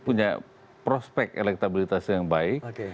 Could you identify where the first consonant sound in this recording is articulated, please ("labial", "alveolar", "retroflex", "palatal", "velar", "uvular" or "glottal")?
labial